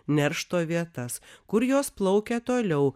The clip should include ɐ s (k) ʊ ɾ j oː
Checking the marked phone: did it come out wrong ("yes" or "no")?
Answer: no